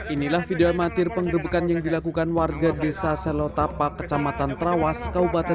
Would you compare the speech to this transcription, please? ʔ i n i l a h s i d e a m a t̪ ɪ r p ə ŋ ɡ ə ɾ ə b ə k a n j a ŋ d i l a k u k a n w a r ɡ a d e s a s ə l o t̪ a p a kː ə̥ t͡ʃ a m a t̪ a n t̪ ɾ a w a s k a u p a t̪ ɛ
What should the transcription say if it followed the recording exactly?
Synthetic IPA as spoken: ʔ i n i l a h f i d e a m a t̪ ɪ r p ə ŋ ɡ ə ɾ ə b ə k a n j a ŋ d i l a k u k a n w a r ɡ a d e s a s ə l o t̪ a p a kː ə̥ t͡ʃ a m a t̪ a n t̪ ɾ a w a s k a u p a t̪ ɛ